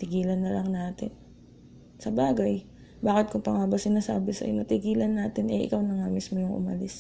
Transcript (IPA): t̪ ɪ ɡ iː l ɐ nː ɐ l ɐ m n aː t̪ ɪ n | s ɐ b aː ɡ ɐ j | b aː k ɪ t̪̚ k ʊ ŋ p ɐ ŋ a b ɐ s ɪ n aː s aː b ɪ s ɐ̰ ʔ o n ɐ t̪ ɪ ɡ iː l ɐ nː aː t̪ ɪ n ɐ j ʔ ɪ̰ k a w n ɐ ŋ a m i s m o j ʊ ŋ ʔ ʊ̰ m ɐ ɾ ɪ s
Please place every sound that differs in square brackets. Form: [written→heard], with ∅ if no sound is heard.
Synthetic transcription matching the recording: t̪ ɪ ɡ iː l ɐ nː ɐ l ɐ [m→ŋ] n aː t̪ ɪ n | s ɐ b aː ɡ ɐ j | b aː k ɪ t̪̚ k ʊ ŋ p ɐ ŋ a b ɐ s ɪ n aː s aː b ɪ s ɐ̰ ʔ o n ɐ t̪ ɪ ɡ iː l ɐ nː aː t̪ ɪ n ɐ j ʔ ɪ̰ k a w n ɐ ŋ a m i s m o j ʊ ŋ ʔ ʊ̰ m ɐ [ɾ→l] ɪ s